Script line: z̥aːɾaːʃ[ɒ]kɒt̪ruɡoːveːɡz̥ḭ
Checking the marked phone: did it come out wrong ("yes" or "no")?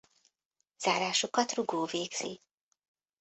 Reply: yes